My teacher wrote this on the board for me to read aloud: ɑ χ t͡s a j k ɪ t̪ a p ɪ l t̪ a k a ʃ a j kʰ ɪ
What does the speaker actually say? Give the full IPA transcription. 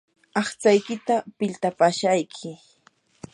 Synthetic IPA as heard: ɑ χ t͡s a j k ɪ t̪ a p ɪ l t̪ a p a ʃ a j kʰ ɪ